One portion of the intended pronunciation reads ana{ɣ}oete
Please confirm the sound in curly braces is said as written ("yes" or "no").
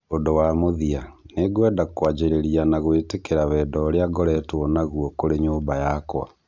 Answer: yes